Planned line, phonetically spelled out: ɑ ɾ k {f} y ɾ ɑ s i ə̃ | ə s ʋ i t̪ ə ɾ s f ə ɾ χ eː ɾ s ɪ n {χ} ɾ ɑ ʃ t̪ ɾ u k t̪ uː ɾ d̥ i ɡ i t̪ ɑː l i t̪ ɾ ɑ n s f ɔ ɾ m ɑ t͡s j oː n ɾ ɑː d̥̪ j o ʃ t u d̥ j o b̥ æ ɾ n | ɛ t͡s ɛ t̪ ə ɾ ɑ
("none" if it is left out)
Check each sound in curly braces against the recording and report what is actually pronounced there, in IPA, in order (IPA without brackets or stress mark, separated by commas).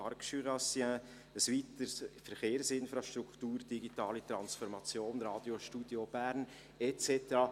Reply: ʃ, f